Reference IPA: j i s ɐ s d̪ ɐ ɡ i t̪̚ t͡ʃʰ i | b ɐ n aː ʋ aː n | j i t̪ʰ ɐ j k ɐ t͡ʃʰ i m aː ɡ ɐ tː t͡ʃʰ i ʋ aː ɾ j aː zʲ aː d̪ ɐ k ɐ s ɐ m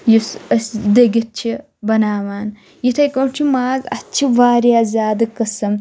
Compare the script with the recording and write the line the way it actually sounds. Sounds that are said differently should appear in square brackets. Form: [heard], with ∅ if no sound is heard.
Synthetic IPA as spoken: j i s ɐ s d̪ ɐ ɡ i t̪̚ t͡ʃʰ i | b ɐ n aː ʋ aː n | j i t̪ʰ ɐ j k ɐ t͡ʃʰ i m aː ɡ ɐ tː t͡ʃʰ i ʋ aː ɾ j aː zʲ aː d̪ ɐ k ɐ s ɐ m